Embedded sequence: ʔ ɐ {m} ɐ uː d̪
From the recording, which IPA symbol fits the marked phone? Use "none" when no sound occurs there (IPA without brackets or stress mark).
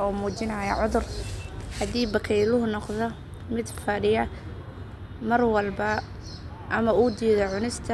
m